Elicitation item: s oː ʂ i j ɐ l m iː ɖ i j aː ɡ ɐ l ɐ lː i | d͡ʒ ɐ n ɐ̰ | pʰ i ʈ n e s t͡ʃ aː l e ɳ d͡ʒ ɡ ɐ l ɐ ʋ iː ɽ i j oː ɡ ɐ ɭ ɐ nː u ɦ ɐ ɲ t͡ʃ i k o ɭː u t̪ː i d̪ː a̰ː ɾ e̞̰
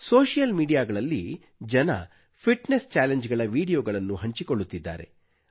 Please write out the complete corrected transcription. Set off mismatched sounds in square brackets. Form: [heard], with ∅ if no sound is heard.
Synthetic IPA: s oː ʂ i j ɐ l m iː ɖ i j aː ɡ ɐ [ɭ] ɐ lː i | d͡ʒ ɐ n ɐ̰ | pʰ i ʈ n e s t͡ʃ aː l e [ɲ] d͡ʒ ɡ ɐ [ɭ] ɐ ʋ iː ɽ i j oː ɡ ɐ ɭ ɐ nː u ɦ ɐ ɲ t͡ʃ i k o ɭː u t̪ː i d̪ː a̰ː ɾ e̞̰